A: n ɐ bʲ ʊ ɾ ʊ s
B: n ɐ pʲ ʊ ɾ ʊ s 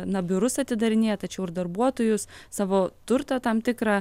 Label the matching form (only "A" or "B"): A